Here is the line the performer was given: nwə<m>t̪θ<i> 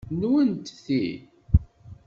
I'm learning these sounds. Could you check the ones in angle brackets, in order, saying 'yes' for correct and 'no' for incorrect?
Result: no, yes

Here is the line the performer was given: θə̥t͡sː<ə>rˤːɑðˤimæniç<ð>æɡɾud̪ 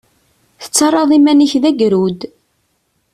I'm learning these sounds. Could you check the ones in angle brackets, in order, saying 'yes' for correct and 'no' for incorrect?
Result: no, yes

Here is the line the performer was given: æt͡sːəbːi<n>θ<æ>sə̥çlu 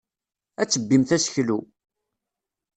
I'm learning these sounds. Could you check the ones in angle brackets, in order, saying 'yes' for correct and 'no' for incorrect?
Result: no, yes

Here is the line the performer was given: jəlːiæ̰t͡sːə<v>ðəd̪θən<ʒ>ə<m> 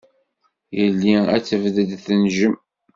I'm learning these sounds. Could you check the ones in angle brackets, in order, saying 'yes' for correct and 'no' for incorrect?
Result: yes, yes, yes

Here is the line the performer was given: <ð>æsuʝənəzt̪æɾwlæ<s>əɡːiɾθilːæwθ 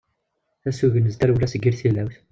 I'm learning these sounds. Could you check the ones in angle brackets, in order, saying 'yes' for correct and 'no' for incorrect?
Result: no, yes

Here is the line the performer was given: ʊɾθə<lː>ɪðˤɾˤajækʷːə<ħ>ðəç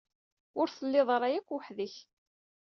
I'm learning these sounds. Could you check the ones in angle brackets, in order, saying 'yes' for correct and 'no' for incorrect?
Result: yes, yes

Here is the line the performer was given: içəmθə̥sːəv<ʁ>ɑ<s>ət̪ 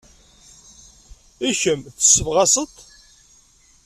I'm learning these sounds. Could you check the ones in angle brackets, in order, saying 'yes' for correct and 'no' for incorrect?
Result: yes, yes

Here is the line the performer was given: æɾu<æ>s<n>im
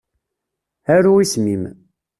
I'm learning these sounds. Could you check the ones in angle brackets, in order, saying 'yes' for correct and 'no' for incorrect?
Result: no, no

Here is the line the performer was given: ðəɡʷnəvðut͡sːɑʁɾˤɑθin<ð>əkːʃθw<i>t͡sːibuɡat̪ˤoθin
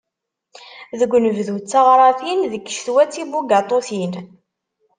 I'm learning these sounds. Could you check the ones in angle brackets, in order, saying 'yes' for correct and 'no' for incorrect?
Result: yes, no

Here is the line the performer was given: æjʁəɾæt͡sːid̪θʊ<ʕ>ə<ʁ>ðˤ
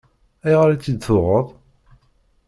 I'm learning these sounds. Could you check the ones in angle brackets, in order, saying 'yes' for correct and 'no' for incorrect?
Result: no, no

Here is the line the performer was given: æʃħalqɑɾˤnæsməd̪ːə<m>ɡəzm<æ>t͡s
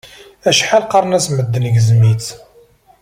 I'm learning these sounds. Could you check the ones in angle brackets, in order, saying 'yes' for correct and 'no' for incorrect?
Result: no, no

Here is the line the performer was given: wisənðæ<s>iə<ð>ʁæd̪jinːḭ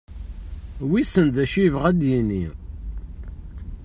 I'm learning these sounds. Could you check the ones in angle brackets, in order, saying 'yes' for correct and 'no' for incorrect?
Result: no, no

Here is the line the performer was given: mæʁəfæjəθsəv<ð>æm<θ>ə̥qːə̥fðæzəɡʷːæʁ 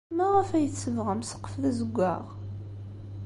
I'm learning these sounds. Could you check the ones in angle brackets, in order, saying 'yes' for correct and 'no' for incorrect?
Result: no, no

